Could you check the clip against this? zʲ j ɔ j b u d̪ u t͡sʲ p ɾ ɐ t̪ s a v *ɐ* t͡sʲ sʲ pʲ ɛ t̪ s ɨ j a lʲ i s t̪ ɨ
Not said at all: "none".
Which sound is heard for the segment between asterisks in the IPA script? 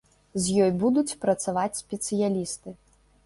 a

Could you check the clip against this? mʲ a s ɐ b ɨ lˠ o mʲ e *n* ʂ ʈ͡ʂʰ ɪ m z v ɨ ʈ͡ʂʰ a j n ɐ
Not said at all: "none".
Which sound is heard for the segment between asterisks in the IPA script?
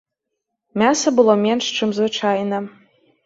n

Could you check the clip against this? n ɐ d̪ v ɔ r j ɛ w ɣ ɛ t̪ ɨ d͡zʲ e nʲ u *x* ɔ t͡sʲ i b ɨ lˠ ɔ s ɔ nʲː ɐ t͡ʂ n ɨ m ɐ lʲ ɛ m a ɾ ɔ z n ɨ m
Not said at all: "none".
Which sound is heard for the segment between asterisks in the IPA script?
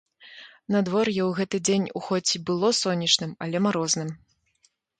x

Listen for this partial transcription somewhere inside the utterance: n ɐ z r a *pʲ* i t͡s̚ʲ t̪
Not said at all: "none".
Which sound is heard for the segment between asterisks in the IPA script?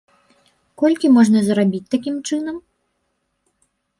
bʲ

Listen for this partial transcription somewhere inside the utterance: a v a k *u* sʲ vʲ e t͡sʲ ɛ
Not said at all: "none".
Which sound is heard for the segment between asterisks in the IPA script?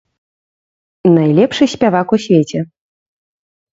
u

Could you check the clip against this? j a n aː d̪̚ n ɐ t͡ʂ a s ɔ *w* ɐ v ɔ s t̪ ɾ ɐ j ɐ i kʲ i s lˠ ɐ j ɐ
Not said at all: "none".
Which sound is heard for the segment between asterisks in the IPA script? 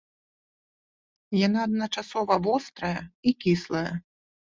v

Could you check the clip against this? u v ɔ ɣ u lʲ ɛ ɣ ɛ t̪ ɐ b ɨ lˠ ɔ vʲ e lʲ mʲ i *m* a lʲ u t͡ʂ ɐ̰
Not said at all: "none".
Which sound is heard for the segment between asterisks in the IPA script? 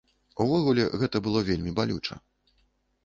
b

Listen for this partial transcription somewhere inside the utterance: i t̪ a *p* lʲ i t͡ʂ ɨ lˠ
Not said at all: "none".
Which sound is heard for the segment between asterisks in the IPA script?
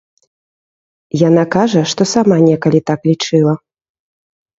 k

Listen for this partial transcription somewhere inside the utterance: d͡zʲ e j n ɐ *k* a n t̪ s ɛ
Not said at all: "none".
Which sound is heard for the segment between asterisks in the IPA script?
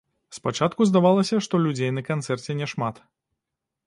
k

